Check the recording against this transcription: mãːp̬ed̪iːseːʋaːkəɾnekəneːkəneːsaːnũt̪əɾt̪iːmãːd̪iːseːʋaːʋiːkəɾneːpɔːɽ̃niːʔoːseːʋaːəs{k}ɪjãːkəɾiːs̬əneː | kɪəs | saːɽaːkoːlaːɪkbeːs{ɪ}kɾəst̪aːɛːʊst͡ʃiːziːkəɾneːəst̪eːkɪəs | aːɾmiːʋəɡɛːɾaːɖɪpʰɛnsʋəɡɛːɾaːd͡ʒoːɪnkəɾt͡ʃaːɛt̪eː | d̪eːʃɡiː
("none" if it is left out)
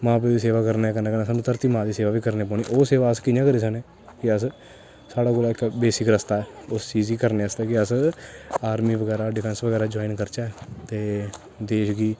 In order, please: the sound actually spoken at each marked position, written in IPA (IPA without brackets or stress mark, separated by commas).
k, ɪ